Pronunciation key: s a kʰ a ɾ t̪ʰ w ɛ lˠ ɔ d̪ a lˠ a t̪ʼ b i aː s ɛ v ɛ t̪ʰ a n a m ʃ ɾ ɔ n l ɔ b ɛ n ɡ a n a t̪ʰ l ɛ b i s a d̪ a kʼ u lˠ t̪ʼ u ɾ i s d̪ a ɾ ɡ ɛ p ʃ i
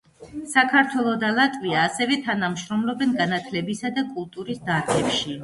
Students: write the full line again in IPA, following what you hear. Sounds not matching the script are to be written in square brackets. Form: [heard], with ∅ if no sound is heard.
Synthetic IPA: s a kʰ a ɾ t̪ʰ w ɛ lˠ ɔ d̪ a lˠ a t̪ʼ [v] i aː s ɛ v ɛ t̪ʰ a n a m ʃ ɾ ɔ [m] l ɔ b ɛ n ɡ a n a t̪ʰ l ɛ b i s a d̪ a kʼ u lˠ t̪ʼ u ɾ i s d̪ a ɾ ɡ ɛ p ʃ i